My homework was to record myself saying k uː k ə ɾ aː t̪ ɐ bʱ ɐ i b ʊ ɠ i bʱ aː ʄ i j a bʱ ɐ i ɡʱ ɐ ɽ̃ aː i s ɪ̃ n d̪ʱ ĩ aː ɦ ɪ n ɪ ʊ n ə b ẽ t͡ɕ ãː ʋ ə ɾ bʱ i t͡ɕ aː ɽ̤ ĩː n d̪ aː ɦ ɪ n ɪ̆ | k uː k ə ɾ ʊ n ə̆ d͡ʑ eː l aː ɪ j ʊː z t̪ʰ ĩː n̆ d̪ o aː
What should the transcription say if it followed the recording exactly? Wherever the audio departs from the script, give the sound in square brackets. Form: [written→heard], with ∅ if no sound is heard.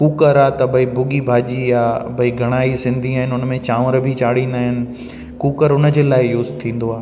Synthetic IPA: k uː k ə ɾ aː t̪ ɐ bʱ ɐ i b ʊ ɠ i bʱ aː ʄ i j a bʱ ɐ i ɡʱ ɐ ɽ̃ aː i s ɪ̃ n d̪ʱ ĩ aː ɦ ɪ n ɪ ʊ n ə [b→m] ẽ t͡ɕ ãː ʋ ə ɾ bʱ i t͡ɕ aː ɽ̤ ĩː n d̪ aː ɦ ɪ n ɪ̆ | k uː k ə ɾ ʊ n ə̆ d͡ʑ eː l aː ɪ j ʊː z t̪ʰ ĩː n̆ d̪ o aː